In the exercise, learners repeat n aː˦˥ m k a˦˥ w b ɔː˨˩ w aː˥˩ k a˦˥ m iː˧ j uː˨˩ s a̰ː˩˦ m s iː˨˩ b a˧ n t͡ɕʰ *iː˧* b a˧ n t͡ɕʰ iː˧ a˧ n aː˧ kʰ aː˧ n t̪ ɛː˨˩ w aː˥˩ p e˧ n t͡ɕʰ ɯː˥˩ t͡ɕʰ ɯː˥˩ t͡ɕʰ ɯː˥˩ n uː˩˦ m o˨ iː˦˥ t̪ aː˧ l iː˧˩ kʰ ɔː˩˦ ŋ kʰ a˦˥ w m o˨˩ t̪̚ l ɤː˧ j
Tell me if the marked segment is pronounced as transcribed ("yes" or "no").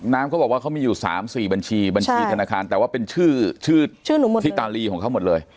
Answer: yes